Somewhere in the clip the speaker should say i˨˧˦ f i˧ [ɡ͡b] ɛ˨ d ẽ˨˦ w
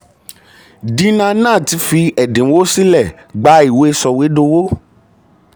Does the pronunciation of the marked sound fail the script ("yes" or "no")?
yes